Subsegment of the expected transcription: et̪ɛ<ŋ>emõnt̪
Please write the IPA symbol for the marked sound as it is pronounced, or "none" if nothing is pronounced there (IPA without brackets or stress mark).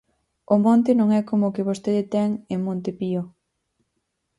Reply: ŋ